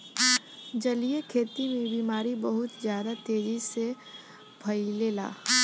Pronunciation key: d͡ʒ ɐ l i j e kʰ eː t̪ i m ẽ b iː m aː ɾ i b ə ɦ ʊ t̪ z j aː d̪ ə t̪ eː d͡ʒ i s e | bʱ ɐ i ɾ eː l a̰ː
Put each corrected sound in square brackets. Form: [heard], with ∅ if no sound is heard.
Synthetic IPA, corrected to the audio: d͡ʒ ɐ l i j e kʰ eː t̪ i m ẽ b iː m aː ɾ i b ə ɦ ʊ t̪ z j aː d̪ [a] t̪ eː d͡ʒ i s e | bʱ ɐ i [l] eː l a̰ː

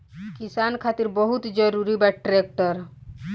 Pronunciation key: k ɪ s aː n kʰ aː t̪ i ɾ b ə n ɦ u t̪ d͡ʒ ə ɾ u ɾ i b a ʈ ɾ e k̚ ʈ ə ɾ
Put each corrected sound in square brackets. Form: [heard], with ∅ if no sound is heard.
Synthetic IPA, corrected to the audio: k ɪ s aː n kʰ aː t̪ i ɾ b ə [∅] ɦ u t̪ d͡ʒ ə ɾ u ɾ i b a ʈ ɾ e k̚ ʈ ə ɾ

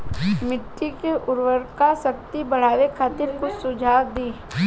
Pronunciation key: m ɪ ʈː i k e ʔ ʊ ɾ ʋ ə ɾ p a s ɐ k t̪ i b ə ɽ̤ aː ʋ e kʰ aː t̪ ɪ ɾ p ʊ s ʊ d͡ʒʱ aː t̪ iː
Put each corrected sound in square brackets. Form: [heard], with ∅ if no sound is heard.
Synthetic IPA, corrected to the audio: m ɪ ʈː i k e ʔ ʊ ɾ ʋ ə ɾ [k] a s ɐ k t̪ i b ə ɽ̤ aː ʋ e kʰ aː t̪ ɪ ɾ [k] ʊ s ʊ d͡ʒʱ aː [d̪] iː

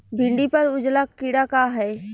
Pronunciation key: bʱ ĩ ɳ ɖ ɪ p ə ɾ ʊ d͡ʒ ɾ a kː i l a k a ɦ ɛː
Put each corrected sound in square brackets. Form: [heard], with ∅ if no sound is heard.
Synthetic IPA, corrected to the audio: bʱ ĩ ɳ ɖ [i] p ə ɾ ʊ d͡ʒ [l] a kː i [ɽ] a k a ɦ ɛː

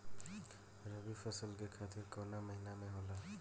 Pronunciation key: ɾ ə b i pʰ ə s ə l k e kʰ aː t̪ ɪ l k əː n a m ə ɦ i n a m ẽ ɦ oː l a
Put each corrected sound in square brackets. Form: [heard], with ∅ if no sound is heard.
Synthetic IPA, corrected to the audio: ɾ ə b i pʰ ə s ə l k e kʰ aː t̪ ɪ [ɾ] k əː n a m ə ɦ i n a m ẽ ɦ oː l a

